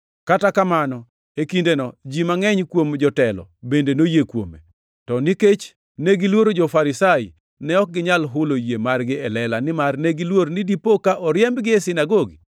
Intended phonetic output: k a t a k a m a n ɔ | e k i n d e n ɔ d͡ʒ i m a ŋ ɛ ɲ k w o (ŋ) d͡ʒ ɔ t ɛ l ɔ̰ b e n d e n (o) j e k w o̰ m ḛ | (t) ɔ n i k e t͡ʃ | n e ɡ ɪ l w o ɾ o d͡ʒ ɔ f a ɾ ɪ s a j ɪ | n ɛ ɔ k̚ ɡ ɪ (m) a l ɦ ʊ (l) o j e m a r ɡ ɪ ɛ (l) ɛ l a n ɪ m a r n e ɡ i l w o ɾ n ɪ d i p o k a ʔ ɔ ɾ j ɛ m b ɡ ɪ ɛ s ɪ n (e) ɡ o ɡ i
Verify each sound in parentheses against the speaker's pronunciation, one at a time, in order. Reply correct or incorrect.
incorrect, correct, correct, incorrect, correct, correct, incorrect

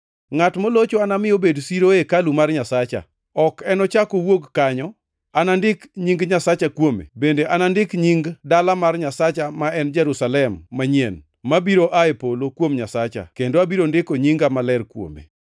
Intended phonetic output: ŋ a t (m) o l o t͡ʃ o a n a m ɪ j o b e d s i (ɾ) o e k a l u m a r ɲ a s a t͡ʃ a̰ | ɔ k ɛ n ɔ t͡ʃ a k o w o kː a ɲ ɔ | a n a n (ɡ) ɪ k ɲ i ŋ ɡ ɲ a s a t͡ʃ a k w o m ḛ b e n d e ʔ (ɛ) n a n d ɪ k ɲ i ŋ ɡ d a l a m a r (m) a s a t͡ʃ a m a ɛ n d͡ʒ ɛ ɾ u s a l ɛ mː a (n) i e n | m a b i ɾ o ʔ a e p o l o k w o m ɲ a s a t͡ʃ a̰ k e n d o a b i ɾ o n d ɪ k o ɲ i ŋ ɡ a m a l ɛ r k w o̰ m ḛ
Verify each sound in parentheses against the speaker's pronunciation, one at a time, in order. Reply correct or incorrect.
correct, correct, incorrect, incorrect, incorrect, incorrect

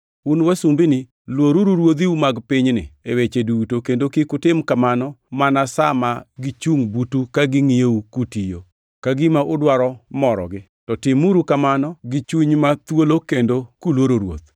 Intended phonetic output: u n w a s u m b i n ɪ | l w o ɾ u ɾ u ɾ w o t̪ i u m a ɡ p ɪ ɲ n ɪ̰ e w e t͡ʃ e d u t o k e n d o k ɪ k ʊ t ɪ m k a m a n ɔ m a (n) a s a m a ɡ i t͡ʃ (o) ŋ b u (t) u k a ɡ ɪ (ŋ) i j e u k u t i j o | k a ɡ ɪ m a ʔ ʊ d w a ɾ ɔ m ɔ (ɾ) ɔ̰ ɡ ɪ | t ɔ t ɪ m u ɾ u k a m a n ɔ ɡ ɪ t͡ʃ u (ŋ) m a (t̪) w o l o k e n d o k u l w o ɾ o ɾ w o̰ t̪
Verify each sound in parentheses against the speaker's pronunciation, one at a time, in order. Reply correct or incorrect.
correct, incorrect, correct, correct, correct, incorrect, correct

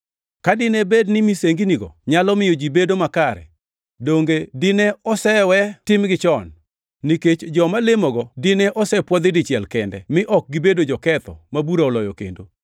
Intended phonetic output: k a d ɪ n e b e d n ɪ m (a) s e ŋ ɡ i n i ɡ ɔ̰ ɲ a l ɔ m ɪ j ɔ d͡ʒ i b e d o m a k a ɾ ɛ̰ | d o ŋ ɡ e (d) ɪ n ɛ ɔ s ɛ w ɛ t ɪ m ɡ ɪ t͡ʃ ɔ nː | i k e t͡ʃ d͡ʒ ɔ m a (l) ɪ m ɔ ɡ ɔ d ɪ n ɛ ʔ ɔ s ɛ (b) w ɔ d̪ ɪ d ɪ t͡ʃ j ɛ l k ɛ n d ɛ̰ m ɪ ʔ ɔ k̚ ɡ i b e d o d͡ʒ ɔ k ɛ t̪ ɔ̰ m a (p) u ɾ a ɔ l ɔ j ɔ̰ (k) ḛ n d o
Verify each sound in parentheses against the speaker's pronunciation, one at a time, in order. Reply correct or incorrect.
incorrect, correct, correct, incorrect, incorrect, correct

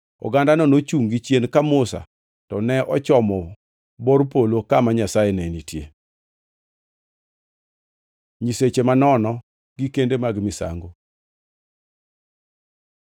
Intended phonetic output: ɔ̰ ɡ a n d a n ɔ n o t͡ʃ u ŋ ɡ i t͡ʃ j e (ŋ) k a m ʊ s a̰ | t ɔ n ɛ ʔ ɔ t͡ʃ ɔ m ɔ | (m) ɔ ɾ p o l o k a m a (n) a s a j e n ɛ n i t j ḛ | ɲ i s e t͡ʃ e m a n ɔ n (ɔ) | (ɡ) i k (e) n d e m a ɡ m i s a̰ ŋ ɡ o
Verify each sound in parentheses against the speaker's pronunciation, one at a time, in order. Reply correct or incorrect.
incorrect, incorrect, incorrect, correct, correct, correct

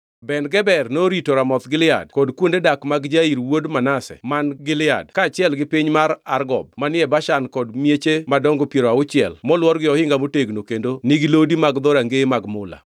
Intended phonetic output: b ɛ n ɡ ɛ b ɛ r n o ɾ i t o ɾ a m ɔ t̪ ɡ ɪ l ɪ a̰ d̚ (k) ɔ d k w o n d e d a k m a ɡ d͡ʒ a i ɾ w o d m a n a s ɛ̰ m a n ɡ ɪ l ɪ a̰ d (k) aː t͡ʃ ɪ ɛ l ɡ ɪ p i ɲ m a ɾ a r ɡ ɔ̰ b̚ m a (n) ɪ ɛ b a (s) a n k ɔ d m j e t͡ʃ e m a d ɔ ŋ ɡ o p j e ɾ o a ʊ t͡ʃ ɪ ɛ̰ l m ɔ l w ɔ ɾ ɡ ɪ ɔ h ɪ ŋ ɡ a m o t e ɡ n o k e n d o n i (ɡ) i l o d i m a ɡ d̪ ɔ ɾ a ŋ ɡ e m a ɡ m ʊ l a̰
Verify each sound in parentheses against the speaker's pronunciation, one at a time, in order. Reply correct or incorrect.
correct, correct, correct, incorrect, correct

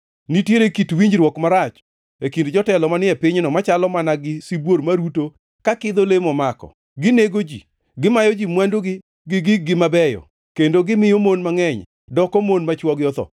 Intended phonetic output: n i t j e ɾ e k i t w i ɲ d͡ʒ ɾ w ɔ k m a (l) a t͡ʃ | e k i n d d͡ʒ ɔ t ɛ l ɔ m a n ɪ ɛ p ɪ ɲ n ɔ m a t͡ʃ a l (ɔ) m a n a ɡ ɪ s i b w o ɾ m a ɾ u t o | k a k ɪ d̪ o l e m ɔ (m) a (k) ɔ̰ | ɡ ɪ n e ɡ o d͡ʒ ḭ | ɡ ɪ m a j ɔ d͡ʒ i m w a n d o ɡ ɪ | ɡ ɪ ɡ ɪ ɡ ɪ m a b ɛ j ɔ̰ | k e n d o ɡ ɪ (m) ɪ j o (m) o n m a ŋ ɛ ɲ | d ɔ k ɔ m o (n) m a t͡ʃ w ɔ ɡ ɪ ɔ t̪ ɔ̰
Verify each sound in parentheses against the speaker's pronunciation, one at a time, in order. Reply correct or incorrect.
incorrect, correct, correct, correct, correct, correct, correct

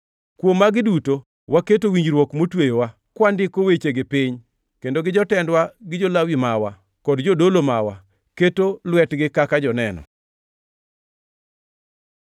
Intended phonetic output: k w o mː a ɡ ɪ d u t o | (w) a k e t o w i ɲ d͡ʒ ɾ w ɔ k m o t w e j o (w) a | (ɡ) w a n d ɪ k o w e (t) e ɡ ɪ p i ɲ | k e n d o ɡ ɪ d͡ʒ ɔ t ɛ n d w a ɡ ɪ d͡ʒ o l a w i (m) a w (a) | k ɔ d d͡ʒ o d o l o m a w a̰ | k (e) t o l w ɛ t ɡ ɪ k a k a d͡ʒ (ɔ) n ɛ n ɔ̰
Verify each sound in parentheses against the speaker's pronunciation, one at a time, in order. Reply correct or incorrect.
correct, correct, incorrect, incorrect, correct, correct, correct, correct

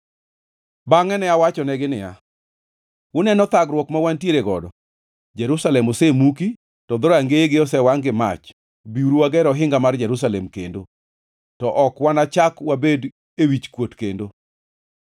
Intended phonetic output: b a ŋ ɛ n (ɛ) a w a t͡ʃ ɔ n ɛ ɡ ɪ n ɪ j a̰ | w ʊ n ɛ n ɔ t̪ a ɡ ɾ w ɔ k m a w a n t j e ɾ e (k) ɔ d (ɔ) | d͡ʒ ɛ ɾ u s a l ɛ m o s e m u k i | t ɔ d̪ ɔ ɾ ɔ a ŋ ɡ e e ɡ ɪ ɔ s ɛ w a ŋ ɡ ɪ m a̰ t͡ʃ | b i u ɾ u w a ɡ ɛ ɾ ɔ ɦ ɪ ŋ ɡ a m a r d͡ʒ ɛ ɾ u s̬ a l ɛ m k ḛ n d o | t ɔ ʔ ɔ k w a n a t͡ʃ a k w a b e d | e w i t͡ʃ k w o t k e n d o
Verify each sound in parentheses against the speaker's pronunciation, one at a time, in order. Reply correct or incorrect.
correct, incorrect, correct

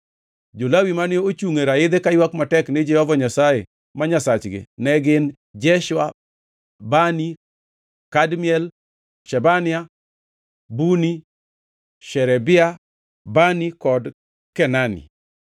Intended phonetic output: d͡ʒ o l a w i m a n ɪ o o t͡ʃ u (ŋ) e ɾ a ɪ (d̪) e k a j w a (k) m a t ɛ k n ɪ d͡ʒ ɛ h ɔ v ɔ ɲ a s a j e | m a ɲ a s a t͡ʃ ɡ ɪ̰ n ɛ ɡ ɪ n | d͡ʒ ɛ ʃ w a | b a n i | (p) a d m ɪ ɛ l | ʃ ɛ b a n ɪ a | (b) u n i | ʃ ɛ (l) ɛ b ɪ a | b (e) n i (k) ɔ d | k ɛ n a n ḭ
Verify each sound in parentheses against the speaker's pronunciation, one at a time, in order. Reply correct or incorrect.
correct, correct, correct, incorrect, correct, incorrect, incorrect, correct

